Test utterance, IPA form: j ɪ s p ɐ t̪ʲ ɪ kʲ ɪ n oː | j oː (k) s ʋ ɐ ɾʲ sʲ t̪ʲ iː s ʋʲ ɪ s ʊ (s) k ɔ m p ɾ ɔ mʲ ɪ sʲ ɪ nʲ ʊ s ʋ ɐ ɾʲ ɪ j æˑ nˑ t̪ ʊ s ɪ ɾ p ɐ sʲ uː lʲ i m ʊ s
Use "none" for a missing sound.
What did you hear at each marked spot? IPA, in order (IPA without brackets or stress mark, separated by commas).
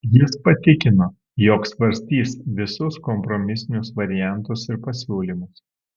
k, s